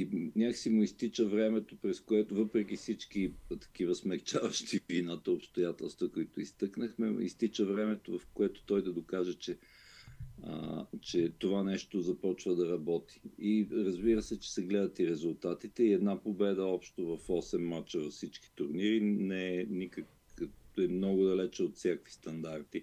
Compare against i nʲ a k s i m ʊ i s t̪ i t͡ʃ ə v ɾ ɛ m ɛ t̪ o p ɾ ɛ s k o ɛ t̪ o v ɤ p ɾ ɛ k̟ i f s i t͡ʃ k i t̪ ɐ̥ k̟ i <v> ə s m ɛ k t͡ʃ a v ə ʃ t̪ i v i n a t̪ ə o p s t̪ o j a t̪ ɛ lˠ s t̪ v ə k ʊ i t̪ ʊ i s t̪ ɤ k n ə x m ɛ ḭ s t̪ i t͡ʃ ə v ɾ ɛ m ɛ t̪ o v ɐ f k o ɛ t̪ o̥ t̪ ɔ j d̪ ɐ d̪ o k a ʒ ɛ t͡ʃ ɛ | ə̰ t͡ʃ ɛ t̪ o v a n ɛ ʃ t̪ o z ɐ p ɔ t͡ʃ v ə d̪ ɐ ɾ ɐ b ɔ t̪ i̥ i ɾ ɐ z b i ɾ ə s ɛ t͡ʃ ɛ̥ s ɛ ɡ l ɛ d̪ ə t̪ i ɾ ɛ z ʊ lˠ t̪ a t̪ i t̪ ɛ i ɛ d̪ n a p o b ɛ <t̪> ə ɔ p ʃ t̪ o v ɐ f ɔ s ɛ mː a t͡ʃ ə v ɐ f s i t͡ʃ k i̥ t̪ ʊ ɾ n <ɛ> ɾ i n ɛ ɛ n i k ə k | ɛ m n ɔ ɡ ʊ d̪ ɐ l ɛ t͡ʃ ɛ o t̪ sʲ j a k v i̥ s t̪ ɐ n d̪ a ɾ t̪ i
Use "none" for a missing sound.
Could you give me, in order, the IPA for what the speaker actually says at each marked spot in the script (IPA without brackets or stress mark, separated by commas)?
v, d̪, i